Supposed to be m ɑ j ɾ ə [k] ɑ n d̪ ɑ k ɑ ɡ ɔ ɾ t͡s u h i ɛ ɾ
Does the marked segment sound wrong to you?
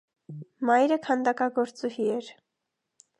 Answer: yes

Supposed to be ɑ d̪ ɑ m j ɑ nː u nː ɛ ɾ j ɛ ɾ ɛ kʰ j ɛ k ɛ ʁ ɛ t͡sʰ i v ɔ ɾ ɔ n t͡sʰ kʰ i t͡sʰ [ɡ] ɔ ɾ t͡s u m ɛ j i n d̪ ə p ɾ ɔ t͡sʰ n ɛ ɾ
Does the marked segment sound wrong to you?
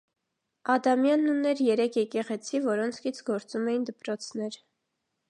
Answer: no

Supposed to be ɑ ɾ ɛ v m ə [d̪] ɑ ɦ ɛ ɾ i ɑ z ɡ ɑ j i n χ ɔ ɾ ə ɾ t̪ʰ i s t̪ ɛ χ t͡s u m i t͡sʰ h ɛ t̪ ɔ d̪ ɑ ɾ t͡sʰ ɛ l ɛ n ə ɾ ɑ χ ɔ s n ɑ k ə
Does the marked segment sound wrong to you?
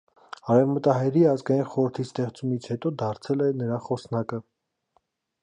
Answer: yes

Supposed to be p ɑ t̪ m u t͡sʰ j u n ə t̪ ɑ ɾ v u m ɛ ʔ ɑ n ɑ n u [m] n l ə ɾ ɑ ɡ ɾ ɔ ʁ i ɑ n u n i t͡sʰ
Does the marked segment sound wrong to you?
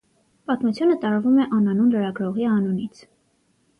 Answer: yes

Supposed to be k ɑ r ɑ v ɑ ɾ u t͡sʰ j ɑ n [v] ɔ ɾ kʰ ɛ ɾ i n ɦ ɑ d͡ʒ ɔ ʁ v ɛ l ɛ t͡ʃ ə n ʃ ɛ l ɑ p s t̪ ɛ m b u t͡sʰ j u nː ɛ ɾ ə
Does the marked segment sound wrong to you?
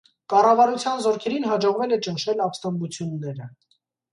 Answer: yes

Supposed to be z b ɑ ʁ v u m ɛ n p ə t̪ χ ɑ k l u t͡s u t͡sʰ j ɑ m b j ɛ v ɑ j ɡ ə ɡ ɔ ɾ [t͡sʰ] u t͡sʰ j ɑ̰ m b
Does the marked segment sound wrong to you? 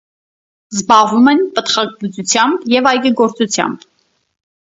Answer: yes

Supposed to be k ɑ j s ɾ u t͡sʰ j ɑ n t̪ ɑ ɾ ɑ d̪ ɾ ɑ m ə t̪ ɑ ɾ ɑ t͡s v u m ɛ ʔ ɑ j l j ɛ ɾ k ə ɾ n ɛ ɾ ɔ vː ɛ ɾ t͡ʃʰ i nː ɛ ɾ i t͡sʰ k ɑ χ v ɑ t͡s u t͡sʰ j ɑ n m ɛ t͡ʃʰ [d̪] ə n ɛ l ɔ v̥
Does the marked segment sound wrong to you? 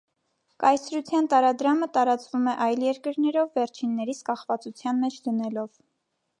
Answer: no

